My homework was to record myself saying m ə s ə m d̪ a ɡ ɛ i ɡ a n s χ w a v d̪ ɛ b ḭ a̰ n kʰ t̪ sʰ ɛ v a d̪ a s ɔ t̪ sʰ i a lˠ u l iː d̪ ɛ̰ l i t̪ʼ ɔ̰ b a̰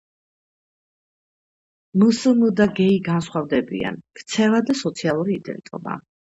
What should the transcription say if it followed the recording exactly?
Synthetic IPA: m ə s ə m d̪ a ɡ ɛ i ɡ a n s χ w a v d̪ ɛ b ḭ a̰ n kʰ t̪ sʰ ɛ v a d̪ a s ɔ t̪ sʰ i a lˠ u ɾ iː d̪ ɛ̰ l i t̪ʼ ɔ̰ b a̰

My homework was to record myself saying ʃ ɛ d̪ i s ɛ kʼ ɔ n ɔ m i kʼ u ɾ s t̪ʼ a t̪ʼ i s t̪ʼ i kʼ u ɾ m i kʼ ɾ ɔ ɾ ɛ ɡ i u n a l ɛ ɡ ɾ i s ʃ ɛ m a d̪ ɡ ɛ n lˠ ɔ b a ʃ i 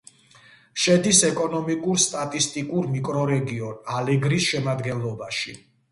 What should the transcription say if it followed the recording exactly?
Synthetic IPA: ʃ ɛ d̪ i s ɛ kʼ ɔ n ɔ m i kʼ u ɾ s t̪ʼ a t̪ʼ i s t̪ʼ i kʼ u ɾ m i kʼ ɾ ɔ ɾ ɛ ɡ i ɔ n a l ɛ ɡ ɾ i s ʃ ɛ m a d̪ ɡ ɛ n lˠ ɔ b a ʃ i

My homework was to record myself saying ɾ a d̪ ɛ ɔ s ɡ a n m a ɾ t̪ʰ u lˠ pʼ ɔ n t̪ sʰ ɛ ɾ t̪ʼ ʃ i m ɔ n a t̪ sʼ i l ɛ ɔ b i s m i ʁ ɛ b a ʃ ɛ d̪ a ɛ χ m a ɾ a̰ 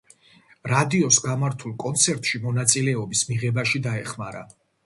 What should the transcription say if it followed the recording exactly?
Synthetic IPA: ɾ a d̪ i ɔ s ɡ a m a ɾ t̪ʰ u lˠ kʼ ɔ n t̪ sʰ ɛ ɾ t̪ʼ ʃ i m ɔ n a t̪ sʼ i l ɛ ɔ b i s m i ʁ ɛ b a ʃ i d̪ a ɛ χ m a ɾ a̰

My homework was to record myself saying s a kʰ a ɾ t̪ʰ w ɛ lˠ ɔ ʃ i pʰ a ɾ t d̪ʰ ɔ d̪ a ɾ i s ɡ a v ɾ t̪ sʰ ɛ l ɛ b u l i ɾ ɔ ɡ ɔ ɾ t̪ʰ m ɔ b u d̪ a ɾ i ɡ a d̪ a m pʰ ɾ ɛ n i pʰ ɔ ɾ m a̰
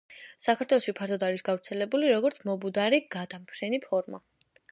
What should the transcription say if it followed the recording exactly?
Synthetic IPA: s a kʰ a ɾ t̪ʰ w ɛ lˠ ɔ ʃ i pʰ a ɾ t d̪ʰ ɔ d̪ a ɾ i s ɡ a v ɾ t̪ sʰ ɛ l ɛ b u l i ɾ ɔ ɡ ɔ ɾ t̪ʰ m ɔ b u d̪ a ɾ i ɡ a d̪ a m pʰ ɾ ɛ n i pʰ ɔ ɾ m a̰

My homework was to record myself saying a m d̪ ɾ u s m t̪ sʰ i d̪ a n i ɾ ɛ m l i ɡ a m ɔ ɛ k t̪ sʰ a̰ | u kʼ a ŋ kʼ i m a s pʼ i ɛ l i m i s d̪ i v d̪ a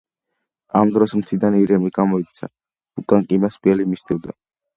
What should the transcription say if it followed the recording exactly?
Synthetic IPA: a m d̪ ɾ ɔ s m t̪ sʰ i d̪ a n i ɾ ɛ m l i ɡ a m ɔ i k t̪ sʰ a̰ | u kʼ a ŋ kʼ i m a s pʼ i ɛ l i m i s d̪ i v d̪ a

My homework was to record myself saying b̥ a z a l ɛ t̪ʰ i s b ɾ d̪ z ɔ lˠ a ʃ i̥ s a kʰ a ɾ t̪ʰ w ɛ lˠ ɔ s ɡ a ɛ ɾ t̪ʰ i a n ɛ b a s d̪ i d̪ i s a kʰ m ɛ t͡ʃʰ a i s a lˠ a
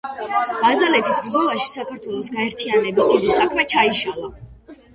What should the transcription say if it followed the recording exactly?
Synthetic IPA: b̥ a z a l ɛ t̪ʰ i s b ɾ d̪ z ɔ lˠ a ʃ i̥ s a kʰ a ɾ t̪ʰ w ɛ lˠ ɔ s ɡ a ɛ ɾ t̪ʰ i a n ɛ b i s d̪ i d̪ i s a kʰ m ɛ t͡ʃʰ a i ʃ a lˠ a

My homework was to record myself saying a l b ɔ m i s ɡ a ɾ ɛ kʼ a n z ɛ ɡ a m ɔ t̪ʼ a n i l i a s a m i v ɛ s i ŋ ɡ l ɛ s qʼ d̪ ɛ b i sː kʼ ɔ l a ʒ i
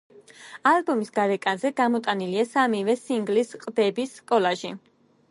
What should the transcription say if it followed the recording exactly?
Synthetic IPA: a l b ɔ m i s ɡ a ɾ ɛ kʼ a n z ɛ ɡ a m ɔ t̪ʼ a n i l i a s a m i v ɛ s i ŋ ɡ l i s qʼ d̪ ɛ b i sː kʼ ɔ l a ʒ i

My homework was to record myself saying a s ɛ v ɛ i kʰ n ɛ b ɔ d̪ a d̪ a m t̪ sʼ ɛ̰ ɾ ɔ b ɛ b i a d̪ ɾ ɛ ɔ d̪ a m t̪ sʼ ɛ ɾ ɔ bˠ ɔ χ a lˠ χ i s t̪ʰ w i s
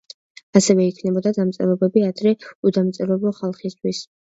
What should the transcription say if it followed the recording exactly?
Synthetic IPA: a s ɛ v ɛ i kʰ n ɛ b ɔ d̪ a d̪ a m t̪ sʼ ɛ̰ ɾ ɔ b ɛ b i a d̪ ɾ ɛ u d̪ a m t̪ sʼ ɛ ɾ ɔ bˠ ɔ χ a lˠ χ i s t̪ʰ w i s

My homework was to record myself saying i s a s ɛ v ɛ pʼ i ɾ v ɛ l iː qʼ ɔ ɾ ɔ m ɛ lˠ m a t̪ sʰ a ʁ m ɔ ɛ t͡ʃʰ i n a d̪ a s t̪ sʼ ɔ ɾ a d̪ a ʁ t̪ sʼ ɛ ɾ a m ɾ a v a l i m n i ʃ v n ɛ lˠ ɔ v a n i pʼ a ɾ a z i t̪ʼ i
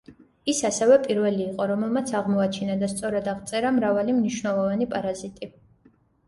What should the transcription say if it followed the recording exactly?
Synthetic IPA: i s a s ɛ v ɛ pʼ i ɾ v ɛ l iː qʼ ɔ ɾ ɔ m ɛ lˠ m a t̪ sʰ a ʁ m ɔ a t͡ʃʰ i n a d̪ a s t̪ sʼ ɔ ɾ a d̪ a ʁ t̪ sʼ ɛ ɾ a m ɾ a v a l i m n i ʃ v n ɛ lˠ ɔ v a n i pʼ a ɾ a z i t̪ʼ i

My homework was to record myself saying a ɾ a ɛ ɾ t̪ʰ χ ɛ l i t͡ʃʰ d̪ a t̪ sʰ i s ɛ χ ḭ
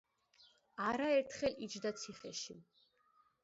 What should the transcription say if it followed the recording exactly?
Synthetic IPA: a ɾ a ɛ ɾ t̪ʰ χ ɛ l i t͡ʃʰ d̪ a t̪ sʰ i χ ɛ ʃ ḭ

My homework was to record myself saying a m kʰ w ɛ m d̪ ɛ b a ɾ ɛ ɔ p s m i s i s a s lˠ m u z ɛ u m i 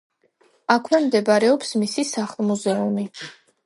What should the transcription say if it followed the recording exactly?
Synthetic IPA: a kʰ w ɛ m d̪ ɛ b a ɾ ɛ ɔ p s m i s i s a χ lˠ m u z ɛ u m i

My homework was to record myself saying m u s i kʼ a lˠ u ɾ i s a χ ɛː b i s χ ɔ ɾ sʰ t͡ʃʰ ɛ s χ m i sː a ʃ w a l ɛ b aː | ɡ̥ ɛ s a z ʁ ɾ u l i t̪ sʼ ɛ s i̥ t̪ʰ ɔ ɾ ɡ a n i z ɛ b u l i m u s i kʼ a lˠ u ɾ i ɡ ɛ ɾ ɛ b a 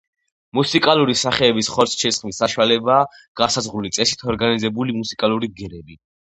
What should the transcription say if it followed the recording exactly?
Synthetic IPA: m u s i kʼ a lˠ u ɾ i s a χ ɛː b i s χ ɔ ɾ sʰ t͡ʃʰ ɛ s χ m i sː a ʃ w a l ɛ b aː | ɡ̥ a s a z ʁ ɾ u l i t̪ sʼ ɛ s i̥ t̪ʰ ɔ ɾ ɡ a n i z ɛ b u l i m u s i kʼ a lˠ u ɾ i ɡ ɛ ɾ ɛ b i

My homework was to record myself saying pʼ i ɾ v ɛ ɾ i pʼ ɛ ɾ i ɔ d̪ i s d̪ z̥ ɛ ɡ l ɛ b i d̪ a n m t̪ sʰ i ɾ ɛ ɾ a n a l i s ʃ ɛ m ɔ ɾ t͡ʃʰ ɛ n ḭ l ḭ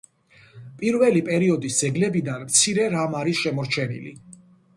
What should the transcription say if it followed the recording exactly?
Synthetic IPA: pʼ i ɾ v ɛ l i pʼ ɛ ɾ i ɔ d̪ i s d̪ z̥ ɛ ɡ l ɛ b i d̪ a n m t̪ sʰ i ɾ ɛ ɾ a m a ɾ i s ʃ ɛ m ɔ ɾ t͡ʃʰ ɛ n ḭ l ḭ

